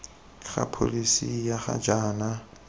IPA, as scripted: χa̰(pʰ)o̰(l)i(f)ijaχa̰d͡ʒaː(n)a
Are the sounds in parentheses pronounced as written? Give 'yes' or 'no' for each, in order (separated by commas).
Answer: yes, yes, no, yes